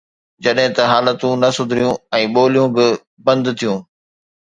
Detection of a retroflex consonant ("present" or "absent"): absent